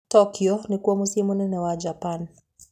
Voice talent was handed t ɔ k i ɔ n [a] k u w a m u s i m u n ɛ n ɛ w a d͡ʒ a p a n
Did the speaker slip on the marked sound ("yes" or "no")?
yes